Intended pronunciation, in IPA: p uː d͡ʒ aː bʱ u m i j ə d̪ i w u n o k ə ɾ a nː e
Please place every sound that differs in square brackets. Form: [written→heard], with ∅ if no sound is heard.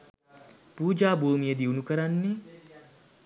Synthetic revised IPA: p uː d͡ʒ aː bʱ [u→uː] m i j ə d̪ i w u n [o→u] k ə ɾ a nː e